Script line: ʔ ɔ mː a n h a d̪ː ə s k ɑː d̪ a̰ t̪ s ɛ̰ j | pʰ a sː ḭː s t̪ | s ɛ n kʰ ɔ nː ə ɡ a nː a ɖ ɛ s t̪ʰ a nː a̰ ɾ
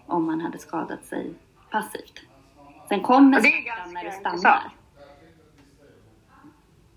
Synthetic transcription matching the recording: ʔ ɔ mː a n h a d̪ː ə s k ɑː d̪ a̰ t̪ s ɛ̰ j | pʰ a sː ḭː f t̪ | s ɛ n kʰ ɔ mː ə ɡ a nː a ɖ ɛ s t̪ a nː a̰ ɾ